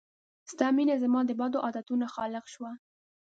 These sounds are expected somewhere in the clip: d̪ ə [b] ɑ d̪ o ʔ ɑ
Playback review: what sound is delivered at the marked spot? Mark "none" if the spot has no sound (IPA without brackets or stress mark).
b